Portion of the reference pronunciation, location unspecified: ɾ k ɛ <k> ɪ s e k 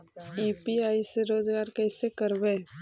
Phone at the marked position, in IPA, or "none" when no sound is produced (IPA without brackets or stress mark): none